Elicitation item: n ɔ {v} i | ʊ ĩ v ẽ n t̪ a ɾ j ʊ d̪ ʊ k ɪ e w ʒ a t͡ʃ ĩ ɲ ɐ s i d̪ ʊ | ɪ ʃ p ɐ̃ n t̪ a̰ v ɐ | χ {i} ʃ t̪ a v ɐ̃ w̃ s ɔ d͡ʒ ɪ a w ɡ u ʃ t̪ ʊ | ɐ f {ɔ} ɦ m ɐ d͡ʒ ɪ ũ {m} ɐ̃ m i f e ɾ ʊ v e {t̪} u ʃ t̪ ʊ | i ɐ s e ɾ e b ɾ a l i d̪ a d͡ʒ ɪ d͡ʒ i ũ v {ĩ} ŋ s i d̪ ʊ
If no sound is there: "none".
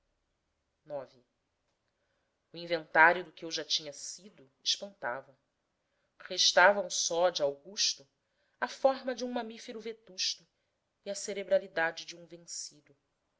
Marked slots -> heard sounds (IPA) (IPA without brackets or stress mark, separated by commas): v, e, ɔ, m, t̪, ẽ